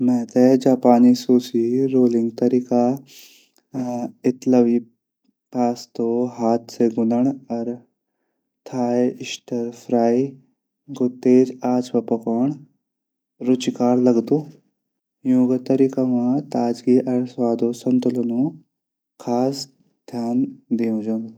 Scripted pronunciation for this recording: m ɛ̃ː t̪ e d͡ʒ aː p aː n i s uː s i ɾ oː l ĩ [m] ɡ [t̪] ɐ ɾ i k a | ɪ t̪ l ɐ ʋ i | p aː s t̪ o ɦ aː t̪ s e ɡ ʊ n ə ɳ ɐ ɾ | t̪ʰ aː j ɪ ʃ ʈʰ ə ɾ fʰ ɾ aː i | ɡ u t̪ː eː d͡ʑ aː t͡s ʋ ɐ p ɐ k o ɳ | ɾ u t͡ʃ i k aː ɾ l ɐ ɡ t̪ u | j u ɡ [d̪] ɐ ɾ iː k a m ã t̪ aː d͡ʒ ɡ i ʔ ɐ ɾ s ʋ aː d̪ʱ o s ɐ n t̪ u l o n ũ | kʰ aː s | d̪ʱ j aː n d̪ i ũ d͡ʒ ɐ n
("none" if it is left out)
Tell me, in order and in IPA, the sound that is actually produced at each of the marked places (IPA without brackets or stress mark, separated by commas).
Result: ŋ, t̪, t̪